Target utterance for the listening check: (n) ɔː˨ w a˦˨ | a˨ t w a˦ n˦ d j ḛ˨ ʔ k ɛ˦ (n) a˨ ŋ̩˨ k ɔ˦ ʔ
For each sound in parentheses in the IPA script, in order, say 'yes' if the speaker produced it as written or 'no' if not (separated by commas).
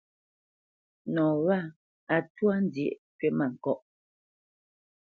yes, no